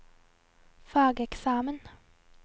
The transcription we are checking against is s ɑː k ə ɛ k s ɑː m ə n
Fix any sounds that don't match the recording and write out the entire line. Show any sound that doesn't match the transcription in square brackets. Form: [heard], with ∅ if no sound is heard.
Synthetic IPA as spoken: [f] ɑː [ɡ] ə ɛ k s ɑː m ə n